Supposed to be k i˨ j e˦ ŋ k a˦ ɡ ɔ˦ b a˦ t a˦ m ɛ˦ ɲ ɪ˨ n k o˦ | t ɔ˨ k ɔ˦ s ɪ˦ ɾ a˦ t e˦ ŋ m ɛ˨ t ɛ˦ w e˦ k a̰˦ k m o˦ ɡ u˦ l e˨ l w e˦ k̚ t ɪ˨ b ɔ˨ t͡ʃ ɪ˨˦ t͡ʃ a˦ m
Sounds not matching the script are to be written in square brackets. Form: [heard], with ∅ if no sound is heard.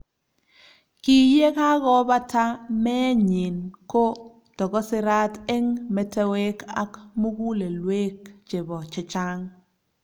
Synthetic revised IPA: k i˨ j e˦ [∅] k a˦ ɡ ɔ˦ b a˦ t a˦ m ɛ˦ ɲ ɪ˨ n k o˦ | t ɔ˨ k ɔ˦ s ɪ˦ ɾ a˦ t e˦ ŋ m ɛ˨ t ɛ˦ w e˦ k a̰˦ k m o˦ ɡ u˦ l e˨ l w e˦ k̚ [t͡ʃ] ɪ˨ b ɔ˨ t͡ʃ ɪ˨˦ t͡ʃ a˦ [ŋ]